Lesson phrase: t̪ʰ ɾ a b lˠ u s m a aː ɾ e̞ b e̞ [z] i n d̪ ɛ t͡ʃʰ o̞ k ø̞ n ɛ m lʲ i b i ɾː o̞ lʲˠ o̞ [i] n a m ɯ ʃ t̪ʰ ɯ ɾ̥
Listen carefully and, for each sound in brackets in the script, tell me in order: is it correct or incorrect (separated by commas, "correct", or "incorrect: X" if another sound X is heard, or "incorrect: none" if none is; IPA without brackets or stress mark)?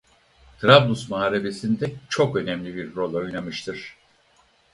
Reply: incorrect: s, incorrect: j